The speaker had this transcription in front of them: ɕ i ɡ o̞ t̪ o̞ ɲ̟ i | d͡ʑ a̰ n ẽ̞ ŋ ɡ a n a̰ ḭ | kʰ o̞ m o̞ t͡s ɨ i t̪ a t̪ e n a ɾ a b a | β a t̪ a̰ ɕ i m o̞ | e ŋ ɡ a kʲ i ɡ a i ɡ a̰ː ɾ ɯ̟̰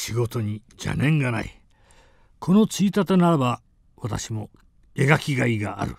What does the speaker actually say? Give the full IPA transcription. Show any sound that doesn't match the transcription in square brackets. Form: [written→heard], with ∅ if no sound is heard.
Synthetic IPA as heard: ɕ i ɡ o̞ t̪ o̞ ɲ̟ i | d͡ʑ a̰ n ẽ̞ ŋ ɡ a n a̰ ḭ | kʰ o̞ [m→n] o̞ t͡s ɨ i t̪ a t̪ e n a ɾ a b a | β a t̪ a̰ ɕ i m o̞ | e [ŋ→∅] ɡ a kʲ i ɡ a i ɡ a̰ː ɾ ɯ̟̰